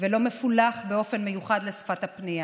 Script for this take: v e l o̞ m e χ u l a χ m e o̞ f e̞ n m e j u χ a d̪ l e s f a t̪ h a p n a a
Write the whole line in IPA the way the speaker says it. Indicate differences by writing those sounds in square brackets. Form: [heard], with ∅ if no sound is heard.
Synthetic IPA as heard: v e l o̞ m e [f] u l a χ [b] e o̞ f e̞ n m e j u χ a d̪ l e s f a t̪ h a p n [i] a